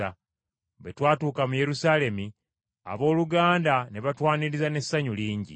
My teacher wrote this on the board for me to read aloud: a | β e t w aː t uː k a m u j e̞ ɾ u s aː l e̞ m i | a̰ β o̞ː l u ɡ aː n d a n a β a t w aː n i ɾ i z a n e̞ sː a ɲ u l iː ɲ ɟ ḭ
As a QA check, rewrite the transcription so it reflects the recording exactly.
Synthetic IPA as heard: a | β e t w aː t uː k a m u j e̞ ɾ u s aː l e̞ m i | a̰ β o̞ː l u ɡ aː n d a n e β a t w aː n i ɾ i z a n e̞ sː a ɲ u l iː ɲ ɟ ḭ